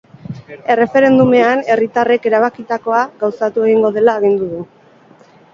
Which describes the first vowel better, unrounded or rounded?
unrounded